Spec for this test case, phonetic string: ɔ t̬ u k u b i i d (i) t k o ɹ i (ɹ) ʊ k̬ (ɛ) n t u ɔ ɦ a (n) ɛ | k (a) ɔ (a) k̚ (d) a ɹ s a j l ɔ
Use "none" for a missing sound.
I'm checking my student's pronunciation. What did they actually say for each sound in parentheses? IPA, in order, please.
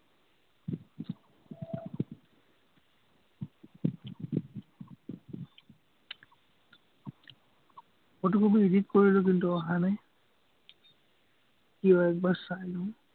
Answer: i, l, i, n, i, ɛ, b

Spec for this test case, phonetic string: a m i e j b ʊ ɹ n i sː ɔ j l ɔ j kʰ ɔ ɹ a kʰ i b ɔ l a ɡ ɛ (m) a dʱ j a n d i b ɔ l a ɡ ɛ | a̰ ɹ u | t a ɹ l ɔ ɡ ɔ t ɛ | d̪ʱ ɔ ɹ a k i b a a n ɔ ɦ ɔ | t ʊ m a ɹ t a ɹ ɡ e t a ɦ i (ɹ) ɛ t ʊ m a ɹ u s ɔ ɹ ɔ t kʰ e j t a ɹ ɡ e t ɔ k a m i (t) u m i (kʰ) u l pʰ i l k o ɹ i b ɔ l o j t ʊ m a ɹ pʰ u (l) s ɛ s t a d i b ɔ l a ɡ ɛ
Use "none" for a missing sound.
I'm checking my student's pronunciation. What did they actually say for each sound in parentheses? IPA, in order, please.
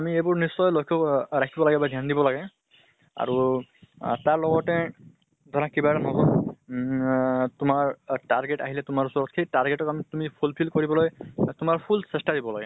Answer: b, l, t, pʰ, l

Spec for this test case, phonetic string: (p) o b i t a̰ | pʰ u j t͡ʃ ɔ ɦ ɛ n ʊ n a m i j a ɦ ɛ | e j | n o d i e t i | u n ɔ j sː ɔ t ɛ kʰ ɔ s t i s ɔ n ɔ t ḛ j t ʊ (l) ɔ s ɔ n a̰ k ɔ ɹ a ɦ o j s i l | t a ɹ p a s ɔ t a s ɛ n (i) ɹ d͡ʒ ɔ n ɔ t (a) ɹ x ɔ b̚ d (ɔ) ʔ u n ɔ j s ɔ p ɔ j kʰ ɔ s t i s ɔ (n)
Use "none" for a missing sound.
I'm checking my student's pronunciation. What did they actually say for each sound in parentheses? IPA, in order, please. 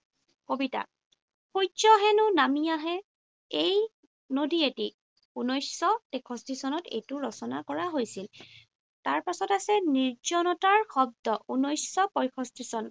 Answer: k, ɹ, i, a, ɔ, n

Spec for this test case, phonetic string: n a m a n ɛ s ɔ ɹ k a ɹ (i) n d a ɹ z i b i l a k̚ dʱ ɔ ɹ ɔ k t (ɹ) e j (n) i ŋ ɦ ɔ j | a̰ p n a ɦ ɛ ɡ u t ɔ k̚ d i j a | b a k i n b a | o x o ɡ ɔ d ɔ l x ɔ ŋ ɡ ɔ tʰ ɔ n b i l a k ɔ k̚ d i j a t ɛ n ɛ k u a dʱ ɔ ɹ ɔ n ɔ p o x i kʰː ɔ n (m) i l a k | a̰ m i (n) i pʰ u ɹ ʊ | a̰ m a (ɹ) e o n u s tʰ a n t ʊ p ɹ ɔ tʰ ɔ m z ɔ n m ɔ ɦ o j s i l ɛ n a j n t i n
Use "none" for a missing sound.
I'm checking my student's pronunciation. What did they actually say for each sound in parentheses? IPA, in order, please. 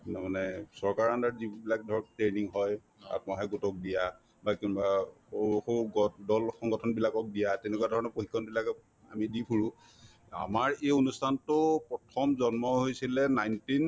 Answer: a, ɹ, n, b, d, ɹ

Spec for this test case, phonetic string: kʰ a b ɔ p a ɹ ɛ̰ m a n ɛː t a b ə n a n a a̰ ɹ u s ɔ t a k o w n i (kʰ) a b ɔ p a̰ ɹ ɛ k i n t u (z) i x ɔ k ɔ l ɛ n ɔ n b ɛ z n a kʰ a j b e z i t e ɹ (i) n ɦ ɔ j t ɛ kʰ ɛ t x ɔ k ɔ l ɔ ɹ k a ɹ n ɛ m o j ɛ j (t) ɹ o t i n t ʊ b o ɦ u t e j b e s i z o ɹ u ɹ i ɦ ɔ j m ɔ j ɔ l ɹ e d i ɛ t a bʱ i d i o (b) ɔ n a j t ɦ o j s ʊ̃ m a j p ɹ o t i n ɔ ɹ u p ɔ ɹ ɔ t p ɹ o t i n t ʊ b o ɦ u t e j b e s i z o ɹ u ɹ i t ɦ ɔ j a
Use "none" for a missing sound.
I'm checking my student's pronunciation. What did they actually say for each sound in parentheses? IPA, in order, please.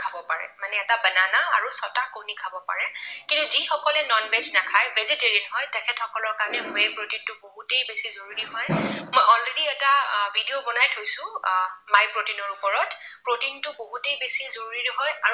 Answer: kʰ, z, i, p, b

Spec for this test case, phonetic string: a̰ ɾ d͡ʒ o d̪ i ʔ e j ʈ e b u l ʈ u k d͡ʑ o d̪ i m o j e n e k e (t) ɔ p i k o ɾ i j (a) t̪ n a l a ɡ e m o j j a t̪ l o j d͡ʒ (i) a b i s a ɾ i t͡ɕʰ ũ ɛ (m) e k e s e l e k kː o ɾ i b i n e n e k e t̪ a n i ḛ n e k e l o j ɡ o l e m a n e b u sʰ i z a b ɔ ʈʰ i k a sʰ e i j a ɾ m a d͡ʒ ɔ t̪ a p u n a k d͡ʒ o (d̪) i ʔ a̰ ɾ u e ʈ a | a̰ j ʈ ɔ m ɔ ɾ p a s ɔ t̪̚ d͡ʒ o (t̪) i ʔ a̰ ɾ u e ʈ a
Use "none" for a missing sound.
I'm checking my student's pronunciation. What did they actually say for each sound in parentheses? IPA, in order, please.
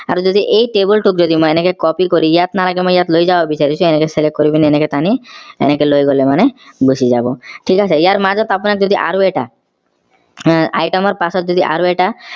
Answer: k, a, a, n, d̪, d̪

